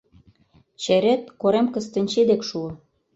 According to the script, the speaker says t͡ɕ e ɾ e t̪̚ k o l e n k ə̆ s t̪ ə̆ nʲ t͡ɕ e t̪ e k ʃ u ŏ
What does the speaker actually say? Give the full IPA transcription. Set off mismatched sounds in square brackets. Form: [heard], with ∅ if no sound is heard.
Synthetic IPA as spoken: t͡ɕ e ɾ e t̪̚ k o [ɾ] e [m] k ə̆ s t̪ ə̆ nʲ t͡ɕ e [d̪] e k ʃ u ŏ